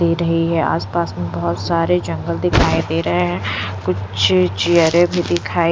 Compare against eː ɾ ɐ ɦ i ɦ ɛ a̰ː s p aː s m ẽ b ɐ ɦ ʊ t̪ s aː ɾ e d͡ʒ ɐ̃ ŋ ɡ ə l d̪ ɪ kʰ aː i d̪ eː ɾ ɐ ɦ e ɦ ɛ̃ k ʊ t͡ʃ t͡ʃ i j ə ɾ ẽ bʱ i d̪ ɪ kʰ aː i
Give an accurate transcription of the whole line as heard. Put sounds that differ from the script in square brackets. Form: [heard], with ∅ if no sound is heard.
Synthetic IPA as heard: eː ɾ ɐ ɦ i ɦ ɛ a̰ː s p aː s m ẽ b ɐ ɦ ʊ t̪ s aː ɾ e d͡ʒ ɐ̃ ŋ ɡ ə l d̪ ɪ kʰ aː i d̪ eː ɾ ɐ ɦ e ɦ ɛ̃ k ʊ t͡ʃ t͡ʃ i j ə ɾ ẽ bʱ i d̪ ɪ kʰ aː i